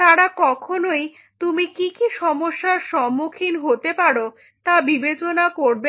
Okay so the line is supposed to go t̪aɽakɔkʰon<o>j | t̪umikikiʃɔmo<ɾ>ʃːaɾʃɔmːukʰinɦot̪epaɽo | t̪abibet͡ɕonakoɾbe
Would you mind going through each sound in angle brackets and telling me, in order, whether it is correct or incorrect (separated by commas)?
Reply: correct, incorrect